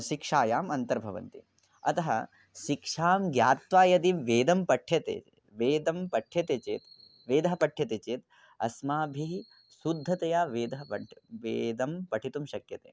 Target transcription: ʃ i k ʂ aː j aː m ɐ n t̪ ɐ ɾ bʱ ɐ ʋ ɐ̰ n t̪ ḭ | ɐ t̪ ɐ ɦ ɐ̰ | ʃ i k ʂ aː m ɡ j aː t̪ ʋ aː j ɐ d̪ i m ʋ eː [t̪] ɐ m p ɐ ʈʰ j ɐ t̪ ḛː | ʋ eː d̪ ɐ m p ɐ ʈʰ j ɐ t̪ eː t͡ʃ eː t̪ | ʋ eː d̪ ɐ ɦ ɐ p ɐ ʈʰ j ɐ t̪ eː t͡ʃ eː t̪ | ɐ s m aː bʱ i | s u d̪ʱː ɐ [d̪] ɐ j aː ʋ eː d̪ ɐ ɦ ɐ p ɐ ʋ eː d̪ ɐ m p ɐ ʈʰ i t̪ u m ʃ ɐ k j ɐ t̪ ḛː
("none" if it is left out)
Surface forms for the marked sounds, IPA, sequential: d̪, t̪

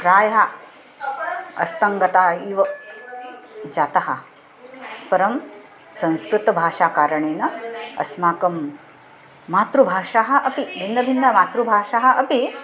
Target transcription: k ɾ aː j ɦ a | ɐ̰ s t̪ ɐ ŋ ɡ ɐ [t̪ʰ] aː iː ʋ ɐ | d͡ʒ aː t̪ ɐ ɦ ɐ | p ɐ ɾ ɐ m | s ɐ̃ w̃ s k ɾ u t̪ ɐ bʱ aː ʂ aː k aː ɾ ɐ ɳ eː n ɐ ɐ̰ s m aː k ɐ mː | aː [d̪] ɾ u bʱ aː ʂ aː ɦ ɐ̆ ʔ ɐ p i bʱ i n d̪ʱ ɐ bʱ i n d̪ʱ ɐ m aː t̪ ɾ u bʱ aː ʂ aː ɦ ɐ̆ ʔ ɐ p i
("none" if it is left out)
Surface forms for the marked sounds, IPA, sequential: t̪, t̪

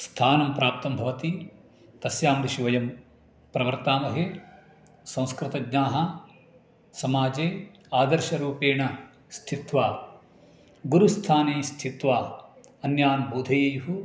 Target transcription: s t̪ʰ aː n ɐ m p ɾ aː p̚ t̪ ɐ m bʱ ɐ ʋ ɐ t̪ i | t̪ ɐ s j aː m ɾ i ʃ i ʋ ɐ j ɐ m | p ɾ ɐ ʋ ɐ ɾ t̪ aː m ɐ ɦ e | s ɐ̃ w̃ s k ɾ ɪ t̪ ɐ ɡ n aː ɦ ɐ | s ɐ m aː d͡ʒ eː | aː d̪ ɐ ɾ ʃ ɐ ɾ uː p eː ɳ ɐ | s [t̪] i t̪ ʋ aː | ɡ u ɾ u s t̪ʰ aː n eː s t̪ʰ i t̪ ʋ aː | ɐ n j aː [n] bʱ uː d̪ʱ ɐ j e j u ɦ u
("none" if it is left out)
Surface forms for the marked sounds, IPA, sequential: t̪ʰ, n

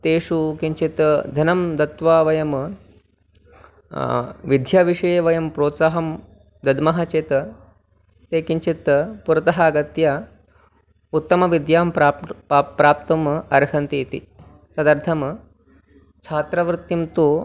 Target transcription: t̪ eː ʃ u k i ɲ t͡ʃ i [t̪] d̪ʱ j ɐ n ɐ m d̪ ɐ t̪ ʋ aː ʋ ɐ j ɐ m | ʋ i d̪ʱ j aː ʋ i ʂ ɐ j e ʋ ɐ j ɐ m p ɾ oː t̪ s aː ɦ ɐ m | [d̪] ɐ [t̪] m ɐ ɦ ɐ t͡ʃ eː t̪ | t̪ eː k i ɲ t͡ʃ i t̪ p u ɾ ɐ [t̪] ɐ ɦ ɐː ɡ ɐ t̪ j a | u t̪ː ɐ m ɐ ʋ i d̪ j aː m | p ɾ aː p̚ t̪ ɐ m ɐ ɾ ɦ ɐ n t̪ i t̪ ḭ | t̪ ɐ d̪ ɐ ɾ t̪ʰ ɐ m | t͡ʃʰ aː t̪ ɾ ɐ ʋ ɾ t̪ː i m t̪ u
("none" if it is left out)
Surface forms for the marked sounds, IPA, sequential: t̪, d̪, d̪, t̪

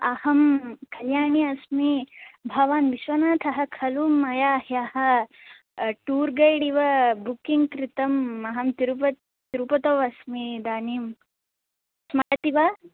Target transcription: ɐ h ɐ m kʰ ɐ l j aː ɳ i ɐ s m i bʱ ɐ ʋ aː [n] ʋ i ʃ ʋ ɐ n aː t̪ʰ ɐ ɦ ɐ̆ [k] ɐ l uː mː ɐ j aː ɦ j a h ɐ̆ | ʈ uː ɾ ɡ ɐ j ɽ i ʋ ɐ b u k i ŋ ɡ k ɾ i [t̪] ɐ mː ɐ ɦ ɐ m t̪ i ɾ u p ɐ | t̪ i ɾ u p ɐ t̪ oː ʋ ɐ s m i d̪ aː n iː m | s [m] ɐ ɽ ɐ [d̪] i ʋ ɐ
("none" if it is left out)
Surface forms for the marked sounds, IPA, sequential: n, kʰ, t̪, m, t̪

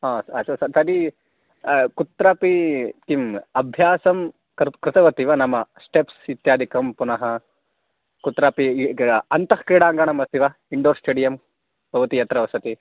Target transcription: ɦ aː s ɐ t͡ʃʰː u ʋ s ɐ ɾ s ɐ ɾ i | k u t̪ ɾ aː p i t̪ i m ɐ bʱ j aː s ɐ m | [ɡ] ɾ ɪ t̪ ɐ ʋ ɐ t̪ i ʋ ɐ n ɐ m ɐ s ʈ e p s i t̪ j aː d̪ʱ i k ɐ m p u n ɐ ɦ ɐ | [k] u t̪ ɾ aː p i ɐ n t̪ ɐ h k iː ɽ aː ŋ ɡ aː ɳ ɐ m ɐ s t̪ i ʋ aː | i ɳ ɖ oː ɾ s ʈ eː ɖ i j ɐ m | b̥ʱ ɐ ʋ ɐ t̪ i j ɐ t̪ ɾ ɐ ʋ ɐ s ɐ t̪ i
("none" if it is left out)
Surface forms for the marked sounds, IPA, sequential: k, k

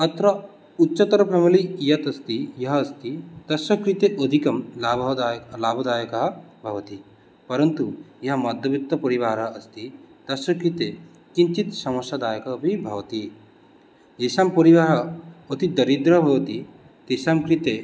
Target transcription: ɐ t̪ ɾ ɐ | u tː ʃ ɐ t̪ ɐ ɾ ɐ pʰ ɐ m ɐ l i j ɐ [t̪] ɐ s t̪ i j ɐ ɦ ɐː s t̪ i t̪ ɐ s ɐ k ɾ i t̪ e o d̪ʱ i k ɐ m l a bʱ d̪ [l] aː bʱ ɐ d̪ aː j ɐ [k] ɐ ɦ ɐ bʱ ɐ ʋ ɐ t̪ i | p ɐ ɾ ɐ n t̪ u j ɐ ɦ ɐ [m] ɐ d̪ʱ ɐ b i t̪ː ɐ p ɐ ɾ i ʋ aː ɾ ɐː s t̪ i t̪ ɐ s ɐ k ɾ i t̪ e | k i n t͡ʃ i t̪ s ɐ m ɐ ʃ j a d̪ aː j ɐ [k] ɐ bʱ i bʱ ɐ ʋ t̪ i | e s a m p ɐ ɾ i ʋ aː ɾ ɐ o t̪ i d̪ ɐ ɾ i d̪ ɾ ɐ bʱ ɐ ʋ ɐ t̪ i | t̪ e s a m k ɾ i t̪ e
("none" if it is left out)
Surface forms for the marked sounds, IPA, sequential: t̪, l, k, m, k

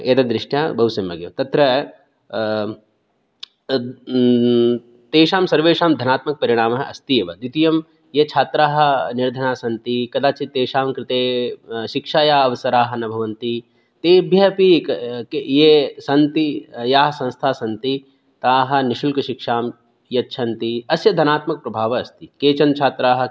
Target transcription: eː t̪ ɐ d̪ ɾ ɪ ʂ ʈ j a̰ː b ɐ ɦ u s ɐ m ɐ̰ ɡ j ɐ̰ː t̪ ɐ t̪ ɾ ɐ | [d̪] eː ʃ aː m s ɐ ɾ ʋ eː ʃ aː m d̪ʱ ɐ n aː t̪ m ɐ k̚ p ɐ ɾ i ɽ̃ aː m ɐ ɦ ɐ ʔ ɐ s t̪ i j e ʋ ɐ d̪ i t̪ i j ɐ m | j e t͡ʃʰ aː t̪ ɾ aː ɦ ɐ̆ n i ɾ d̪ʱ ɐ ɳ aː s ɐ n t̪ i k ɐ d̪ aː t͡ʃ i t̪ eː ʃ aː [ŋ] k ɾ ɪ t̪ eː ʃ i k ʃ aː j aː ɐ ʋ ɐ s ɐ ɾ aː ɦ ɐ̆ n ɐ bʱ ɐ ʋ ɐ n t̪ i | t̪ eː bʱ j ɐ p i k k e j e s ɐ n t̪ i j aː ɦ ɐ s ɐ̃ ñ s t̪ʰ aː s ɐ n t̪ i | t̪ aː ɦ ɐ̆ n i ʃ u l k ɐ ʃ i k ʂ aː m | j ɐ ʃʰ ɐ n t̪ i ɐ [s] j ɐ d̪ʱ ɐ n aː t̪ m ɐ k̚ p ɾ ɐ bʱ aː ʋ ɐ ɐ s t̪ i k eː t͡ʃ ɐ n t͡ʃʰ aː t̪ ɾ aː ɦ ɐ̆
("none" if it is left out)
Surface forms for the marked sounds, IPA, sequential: t̪, m, s

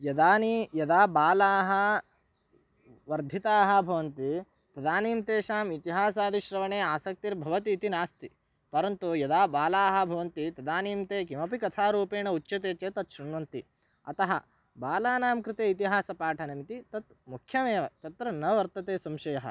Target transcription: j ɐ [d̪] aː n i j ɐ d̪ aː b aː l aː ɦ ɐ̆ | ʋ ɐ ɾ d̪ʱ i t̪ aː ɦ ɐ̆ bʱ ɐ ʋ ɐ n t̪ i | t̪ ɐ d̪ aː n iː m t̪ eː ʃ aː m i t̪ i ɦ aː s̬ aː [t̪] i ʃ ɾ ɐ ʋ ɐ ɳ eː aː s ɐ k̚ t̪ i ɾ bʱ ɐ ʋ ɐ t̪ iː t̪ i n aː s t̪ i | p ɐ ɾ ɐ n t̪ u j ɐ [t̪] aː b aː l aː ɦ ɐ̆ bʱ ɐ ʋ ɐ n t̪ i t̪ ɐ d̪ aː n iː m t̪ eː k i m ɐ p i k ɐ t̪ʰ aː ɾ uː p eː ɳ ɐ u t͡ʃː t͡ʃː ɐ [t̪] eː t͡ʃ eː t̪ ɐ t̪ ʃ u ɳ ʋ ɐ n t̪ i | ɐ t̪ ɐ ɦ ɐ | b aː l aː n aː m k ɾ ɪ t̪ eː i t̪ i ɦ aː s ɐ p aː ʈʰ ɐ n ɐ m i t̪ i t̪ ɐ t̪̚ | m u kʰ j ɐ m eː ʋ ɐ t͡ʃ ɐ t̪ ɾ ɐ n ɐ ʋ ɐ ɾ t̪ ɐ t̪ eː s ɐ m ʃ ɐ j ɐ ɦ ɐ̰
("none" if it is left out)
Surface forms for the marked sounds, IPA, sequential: d̪, d̪, d̪, t̪

